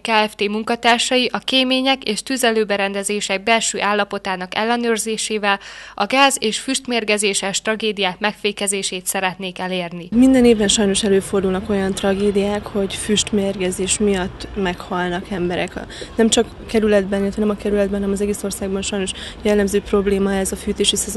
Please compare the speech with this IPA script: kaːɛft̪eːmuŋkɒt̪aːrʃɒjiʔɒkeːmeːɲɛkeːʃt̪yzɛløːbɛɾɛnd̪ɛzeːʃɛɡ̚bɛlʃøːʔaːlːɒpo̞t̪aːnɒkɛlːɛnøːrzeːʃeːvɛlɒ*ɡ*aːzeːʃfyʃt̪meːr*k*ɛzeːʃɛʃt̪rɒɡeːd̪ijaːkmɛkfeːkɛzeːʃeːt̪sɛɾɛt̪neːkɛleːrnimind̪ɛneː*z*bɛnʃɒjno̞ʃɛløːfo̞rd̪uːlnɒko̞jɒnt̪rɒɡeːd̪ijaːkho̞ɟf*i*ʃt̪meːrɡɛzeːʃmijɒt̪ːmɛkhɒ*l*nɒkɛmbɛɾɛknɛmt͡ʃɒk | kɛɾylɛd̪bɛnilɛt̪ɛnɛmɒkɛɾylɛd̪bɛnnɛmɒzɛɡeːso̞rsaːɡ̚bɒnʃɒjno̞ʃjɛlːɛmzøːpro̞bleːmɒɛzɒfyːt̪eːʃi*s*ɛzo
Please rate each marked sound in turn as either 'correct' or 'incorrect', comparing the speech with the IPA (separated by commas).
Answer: correct, incorrect, incorrect, incorrect, correct, correct